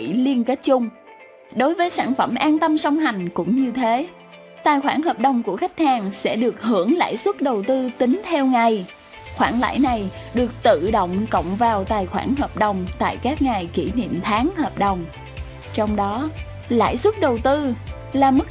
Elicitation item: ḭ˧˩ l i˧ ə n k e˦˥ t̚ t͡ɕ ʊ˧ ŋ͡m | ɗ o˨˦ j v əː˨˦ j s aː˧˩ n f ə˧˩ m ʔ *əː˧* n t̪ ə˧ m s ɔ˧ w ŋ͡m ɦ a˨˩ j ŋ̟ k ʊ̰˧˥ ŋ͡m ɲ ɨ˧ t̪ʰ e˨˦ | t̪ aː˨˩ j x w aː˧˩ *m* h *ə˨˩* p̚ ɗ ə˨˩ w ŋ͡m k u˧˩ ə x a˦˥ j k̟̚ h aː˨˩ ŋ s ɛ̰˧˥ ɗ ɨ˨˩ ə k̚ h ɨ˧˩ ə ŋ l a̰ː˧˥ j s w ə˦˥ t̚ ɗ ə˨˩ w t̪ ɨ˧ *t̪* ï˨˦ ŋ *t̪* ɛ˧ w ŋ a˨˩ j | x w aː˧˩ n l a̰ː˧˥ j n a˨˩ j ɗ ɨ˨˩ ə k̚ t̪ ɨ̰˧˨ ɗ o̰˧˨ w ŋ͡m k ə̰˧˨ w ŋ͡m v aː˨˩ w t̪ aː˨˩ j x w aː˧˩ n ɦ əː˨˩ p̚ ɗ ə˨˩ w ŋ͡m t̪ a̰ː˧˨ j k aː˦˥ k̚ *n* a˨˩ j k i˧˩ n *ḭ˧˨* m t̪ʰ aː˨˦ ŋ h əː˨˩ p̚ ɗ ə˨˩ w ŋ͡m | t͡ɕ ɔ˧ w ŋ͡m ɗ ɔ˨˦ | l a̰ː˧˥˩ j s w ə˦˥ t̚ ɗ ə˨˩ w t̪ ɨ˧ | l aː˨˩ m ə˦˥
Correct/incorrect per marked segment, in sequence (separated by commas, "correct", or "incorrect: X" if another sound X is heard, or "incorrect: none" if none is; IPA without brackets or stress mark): incorrect: aː˧, incorrect: n, incorrect: əː˨˩, correct, incorrect: t̪ʰ, incorrect: ŋ, correct